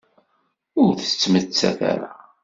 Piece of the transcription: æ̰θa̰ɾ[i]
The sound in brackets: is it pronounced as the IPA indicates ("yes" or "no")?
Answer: no